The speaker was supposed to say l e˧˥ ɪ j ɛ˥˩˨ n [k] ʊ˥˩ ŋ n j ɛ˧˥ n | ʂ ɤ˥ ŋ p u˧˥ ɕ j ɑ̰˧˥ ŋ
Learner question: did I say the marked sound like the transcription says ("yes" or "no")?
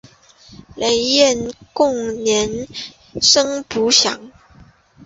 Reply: yes